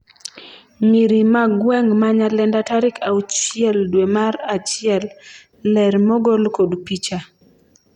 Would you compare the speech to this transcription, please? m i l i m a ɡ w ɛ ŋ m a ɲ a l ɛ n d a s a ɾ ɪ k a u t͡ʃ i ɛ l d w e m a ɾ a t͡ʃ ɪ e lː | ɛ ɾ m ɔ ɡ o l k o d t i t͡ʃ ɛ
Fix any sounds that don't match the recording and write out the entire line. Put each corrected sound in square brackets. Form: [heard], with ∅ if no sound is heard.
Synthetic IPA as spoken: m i [ɾ] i m a ɡ w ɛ ŋ m a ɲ a l ɛ n d a [t] a ɾ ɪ k a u t͡ʃ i ɛ l d w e m a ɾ a t͡ʃ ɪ [ɛ] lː | ɛ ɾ m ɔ ɡ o l k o d [p] i t͡ʃ [a]